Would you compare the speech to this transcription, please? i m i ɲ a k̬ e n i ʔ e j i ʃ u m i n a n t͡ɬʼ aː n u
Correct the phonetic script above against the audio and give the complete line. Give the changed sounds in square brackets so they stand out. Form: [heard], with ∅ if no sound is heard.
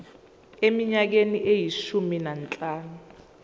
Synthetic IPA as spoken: [e] m i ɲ a k̬ e n i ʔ e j i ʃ u m i n a n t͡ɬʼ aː n u